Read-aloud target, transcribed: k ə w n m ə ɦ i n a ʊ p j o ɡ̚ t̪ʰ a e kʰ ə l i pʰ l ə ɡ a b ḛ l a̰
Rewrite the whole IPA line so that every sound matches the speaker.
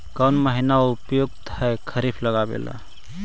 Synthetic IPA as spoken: k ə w n m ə ɦ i n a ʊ p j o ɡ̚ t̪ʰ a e kʰ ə ɾ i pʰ l ə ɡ a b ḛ l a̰